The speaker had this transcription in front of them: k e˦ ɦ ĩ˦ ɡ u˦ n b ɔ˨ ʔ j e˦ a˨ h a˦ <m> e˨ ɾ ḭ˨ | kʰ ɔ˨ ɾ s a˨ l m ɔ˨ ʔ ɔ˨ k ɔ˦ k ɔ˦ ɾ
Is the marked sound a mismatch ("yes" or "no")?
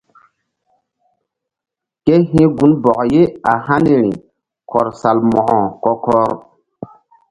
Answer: yes